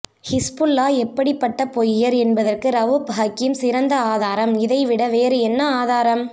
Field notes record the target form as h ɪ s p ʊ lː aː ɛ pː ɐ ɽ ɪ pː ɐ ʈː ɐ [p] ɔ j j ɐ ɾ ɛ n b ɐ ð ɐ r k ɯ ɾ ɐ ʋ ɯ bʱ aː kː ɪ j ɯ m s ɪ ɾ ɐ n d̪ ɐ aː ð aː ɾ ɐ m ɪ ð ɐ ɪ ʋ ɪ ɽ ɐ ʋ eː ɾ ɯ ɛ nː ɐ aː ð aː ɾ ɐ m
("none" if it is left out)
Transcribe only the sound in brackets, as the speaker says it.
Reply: p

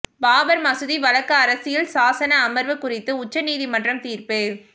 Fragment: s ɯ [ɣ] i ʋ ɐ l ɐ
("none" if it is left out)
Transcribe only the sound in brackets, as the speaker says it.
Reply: ð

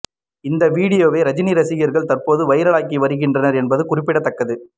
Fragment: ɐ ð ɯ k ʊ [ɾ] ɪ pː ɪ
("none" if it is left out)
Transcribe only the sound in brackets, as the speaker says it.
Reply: r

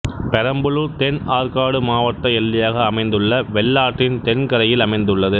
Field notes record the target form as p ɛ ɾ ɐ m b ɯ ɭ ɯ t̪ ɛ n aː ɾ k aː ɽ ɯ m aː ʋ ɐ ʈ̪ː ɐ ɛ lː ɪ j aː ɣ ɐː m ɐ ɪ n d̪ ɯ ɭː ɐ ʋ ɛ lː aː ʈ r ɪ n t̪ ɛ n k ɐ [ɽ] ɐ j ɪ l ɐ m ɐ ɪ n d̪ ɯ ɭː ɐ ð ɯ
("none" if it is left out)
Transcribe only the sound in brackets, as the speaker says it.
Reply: ɾ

